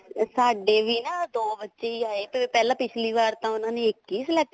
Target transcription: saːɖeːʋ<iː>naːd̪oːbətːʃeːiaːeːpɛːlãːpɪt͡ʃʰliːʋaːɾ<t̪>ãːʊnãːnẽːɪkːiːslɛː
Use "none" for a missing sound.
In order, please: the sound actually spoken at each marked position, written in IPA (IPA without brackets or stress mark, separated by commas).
iː, t̪